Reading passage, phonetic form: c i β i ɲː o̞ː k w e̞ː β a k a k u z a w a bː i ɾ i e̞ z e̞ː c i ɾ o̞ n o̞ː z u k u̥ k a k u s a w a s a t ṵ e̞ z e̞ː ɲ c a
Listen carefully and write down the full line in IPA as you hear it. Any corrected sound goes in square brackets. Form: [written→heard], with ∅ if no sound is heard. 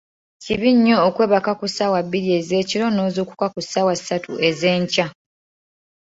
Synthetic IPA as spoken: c i β i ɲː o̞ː k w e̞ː β a k a k u [z→s] a w a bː i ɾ i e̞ z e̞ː c i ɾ o̞ n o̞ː z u k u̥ k a k u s a w a s a t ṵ e̞ z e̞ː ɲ c a